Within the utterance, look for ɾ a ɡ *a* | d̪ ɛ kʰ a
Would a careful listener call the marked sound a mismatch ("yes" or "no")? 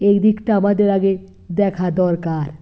yes